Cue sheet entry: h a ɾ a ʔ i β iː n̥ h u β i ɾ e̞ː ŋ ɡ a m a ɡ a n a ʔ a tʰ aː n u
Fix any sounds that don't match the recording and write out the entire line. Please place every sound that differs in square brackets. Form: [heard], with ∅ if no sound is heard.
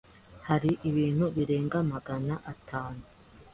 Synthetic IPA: h a ɾ [i] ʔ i β iː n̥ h u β i ɾ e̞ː ŋ ɡ a m a ɡ a n a ʔ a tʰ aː n u